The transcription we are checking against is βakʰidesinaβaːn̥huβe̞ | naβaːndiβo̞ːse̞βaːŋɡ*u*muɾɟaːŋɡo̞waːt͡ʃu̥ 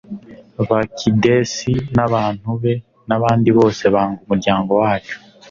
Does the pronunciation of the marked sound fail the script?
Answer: no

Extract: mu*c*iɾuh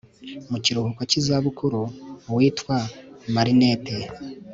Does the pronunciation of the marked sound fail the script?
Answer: no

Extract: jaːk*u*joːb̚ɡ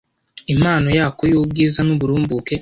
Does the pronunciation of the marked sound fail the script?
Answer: yes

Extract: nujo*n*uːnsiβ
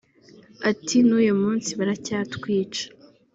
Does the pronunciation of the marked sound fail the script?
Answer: yes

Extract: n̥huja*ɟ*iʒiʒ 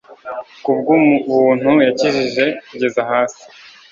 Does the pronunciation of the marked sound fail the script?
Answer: yes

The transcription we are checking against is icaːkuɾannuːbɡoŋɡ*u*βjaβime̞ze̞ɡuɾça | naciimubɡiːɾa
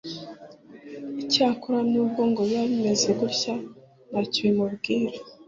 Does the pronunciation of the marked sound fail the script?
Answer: yes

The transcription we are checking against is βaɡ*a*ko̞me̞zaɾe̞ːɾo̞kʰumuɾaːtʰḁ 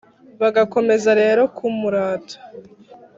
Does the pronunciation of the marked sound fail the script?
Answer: no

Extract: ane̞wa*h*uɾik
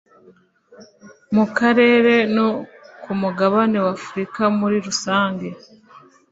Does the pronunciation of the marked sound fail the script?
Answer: yes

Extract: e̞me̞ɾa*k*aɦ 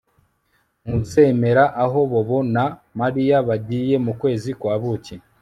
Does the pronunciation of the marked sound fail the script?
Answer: yes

